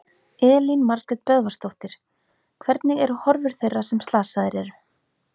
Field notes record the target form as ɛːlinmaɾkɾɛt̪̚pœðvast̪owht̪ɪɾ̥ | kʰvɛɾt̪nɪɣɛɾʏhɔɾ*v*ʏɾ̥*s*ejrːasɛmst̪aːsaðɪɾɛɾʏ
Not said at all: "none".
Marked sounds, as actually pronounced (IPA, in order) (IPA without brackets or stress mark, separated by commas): v, θ